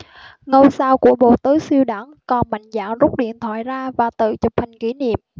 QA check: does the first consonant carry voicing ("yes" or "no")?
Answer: yes